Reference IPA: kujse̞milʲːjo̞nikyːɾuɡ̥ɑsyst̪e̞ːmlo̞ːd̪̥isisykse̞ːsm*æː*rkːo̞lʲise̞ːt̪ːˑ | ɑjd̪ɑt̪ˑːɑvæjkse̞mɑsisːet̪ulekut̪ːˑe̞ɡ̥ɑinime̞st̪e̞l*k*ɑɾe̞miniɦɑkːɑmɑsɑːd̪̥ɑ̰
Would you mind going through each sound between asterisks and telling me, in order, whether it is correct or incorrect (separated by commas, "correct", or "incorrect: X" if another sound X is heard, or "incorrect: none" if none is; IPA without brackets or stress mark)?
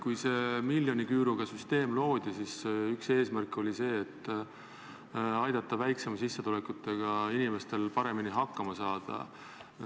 incorrect: æ, incorrect: p